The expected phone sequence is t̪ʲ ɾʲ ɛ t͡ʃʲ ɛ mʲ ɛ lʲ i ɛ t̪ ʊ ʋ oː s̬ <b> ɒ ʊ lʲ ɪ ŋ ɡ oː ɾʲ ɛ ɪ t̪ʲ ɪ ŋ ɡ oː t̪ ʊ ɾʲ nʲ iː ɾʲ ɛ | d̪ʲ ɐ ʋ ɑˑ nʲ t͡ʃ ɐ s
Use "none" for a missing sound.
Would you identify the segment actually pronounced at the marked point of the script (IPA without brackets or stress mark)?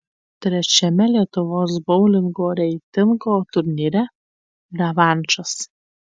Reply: b